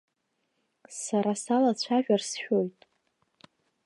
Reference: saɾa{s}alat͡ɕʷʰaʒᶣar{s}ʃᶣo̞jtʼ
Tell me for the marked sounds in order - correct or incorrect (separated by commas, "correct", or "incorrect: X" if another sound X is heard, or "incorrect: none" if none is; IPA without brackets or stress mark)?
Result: correct, correct